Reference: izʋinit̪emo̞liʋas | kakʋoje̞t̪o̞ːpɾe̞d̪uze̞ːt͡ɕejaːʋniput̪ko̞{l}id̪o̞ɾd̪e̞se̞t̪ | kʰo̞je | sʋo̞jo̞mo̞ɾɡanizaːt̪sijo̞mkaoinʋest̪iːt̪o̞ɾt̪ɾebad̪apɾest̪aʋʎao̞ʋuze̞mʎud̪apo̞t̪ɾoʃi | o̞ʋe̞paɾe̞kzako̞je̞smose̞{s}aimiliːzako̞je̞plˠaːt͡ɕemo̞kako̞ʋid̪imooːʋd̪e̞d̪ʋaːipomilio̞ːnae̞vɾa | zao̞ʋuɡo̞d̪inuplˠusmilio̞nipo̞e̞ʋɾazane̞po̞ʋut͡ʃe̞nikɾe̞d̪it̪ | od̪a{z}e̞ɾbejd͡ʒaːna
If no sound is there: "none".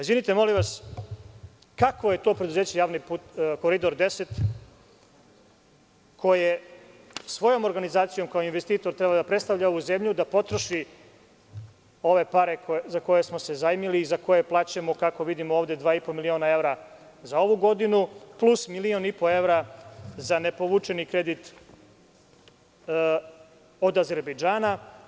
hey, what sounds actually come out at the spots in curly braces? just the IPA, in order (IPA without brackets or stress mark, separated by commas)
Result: ɾ, z, z